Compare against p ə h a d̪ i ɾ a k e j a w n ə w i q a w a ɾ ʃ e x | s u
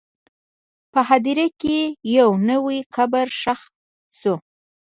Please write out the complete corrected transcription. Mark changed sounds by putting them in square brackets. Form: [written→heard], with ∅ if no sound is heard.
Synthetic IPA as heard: p ə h a d̪ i ɾ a k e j a w n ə w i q a [w→b] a ɾ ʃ [e→a] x | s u